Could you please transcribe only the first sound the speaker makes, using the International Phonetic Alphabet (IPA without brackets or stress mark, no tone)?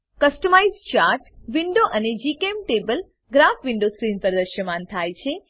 k